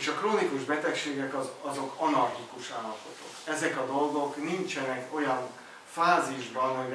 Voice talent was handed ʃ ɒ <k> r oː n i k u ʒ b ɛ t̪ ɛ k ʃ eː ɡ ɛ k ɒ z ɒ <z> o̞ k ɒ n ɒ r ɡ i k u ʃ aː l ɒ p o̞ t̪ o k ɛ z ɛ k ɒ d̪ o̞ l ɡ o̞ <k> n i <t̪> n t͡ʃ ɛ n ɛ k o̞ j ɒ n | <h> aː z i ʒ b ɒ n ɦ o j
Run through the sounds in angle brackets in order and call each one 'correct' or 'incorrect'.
correct, correct, correct, incorrect: none, incorrect: f

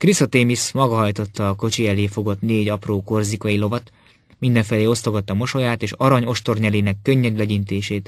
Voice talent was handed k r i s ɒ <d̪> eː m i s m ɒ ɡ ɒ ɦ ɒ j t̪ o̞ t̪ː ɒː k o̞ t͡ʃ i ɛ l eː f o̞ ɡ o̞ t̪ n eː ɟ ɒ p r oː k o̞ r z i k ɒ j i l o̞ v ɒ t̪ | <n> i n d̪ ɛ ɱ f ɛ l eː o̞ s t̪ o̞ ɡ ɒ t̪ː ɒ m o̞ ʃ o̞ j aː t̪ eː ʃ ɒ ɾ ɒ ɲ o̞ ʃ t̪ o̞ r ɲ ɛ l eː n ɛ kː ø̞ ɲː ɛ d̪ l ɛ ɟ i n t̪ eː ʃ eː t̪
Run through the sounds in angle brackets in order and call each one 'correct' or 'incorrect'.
incorrect: t̪, incorrect: m

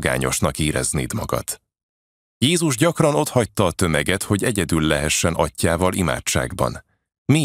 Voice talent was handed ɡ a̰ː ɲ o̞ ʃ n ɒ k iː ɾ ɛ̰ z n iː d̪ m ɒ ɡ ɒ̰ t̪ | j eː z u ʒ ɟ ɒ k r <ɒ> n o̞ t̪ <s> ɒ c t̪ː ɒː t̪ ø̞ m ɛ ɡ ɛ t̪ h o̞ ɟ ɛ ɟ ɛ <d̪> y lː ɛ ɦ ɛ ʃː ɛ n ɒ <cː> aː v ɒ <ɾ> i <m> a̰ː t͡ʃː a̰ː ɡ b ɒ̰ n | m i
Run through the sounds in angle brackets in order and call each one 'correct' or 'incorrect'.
correct, incorrect: h, correct, correct, incorrect: l, correct

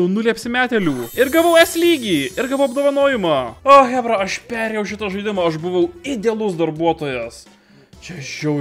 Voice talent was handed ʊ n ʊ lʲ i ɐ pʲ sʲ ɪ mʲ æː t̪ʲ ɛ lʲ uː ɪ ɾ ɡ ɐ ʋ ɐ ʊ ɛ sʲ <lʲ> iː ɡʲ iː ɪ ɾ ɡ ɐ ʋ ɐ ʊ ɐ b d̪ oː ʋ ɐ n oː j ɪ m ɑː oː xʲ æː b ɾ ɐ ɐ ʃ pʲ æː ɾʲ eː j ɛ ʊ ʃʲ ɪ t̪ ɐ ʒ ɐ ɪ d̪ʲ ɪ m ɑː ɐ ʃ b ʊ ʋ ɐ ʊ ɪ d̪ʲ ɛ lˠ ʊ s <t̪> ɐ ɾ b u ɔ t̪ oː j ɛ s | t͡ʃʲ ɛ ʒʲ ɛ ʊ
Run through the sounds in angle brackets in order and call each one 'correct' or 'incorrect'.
correct, incorrect: d̪

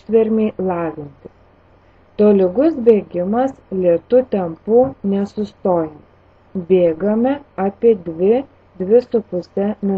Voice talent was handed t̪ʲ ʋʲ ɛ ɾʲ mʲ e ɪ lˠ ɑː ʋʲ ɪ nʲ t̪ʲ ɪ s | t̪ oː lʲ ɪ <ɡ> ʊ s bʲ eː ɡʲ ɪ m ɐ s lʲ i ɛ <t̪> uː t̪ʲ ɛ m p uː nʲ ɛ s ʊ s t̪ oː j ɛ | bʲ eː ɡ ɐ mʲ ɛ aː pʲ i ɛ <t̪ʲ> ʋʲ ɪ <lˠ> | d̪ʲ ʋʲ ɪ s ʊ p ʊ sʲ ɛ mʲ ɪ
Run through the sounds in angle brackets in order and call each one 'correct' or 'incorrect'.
correct, correct, incorrect: d̪ʲ, incorrect: none

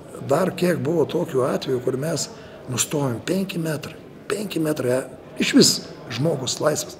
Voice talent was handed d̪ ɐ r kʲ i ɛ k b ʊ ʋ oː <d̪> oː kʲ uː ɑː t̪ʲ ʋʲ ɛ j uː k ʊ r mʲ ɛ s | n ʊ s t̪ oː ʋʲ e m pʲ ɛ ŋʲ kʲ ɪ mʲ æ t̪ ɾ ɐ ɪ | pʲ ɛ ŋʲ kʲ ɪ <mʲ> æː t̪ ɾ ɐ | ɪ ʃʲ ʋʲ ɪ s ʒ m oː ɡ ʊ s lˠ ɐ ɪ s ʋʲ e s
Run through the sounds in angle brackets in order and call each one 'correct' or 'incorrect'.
incorrect: t̪, correct

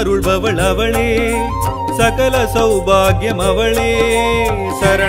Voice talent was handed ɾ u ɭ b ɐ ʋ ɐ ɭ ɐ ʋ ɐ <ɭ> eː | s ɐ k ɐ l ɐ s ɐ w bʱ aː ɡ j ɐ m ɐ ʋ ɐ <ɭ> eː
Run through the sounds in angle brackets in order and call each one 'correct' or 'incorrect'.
correct, correct

